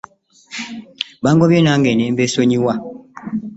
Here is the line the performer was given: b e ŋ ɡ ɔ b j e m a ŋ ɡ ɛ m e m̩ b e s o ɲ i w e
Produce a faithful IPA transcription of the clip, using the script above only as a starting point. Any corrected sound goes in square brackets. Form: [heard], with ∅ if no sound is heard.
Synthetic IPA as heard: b [a] ŋ ɡ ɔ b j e [n] a ŋ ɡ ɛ [n] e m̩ b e s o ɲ i w [a]